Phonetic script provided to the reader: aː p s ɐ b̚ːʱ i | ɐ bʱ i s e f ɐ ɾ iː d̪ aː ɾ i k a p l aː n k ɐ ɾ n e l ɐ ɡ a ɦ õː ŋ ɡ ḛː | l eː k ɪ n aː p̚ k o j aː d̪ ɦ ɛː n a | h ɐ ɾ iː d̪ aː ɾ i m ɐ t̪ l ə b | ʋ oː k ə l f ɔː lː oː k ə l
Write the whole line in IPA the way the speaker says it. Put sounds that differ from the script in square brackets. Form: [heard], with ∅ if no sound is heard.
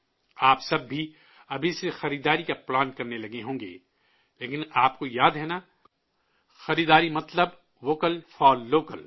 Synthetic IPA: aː p s ɐ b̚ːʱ i | ɐ bʱ i s e [x] ɐ ɾ iː d̪ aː ɾ i k a p l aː n k ɐ ɾ n e l ɐ ɡ [e] ɦ õː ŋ ɡ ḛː | l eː k ɪ n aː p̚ k o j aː d̪ ɦ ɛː n a | [x] ɐ ɾ iː d̪ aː ɾ i m ɐ t̪ l ə b | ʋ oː k ə l f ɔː lː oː k ə l